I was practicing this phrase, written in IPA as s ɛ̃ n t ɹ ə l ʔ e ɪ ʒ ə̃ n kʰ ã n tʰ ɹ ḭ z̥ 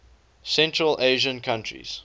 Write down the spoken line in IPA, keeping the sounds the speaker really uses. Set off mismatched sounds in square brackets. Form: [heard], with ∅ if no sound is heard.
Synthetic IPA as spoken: s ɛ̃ n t ɹ ə l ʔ e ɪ ʒ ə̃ n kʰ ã n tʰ ɹ ḭ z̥